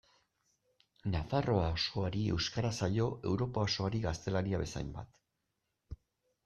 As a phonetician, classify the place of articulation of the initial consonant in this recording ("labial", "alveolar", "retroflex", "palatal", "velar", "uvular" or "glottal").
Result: alveolar